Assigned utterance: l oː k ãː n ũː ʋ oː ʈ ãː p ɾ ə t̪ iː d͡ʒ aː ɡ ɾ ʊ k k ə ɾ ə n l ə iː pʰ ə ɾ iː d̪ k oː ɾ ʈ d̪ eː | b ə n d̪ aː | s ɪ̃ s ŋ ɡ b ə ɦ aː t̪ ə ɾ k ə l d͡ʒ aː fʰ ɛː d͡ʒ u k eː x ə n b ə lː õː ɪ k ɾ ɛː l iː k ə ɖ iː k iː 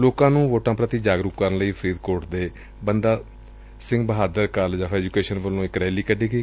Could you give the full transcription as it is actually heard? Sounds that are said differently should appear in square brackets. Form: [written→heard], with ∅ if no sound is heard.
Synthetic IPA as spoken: l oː k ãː n ũː ʋ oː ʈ ãː p ɾ ə t̪ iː d͡ʒ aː ɡ ɾ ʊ k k ə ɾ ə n l ə iː pʰ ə ɾ iː d̪ k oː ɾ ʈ d̪ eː | b ə n d̪ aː | s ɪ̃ [s→∅] ŋ ɡ b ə ɦ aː [t̪→d̪] ə ɾ k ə l d͡ʒ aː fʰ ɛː d͡ʒ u k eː [x→ʃ] ə n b ə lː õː ɪ k ɾ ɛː l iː k ə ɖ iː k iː